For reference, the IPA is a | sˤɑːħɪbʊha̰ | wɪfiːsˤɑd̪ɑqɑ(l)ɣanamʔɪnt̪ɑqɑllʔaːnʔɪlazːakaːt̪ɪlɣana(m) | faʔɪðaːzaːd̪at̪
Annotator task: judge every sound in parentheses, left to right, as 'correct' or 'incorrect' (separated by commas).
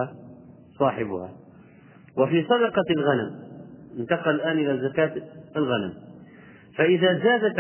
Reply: correct, correct